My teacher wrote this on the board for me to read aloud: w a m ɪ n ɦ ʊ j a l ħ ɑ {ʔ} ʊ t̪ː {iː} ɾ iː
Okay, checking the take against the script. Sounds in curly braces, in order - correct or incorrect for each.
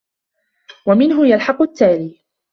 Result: incorrect: q, incorrect: aː

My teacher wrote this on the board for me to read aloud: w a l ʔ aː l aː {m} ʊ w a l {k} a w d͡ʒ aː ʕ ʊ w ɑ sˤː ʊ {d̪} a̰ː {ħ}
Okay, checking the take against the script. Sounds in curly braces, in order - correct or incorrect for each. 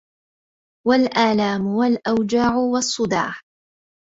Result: correct, incorrect: ʔ, correct, correct

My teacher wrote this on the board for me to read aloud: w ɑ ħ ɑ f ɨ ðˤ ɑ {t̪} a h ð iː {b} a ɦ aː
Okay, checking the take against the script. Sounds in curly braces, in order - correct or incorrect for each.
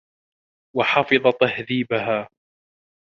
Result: correct, correct

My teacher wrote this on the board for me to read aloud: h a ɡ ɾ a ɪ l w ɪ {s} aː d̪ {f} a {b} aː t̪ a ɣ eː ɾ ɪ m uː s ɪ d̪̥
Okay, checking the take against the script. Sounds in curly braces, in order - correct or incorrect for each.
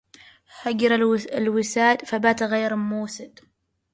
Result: correct, correct, correct

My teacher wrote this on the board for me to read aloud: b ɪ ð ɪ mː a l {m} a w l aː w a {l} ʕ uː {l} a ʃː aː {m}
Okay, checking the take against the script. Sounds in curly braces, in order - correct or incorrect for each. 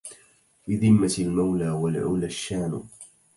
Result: correct, correct, correct, incorrect: n

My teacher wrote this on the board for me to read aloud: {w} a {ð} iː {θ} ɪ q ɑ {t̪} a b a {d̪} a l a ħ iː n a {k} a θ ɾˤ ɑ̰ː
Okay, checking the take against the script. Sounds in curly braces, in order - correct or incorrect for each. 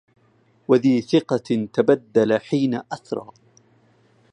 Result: correct, correct, correct, correct, incorrect: d̪ː, incorrect: ʔ

